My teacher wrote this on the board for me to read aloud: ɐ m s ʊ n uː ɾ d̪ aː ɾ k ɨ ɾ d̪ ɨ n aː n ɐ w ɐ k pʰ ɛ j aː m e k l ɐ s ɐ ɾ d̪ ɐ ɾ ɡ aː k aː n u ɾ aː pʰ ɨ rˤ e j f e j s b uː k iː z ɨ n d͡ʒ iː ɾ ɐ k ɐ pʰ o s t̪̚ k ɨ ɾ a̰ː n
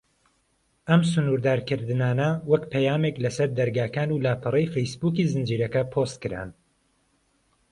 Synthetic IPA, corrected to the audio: ɐ m s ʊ n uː ɾ d̪ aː ɾ k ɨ ɾ d̪ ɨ n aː n ɐ w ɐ k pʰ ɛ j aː m e k l ɐ s ɐ ɾ d̪ ɐ ɾ ɡ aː k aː n u l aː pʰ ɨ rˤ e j f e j s b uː k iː z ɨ n d͡ʒ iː ɾ ɐ k ɐ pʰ o s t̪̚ k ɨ ɾ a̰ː n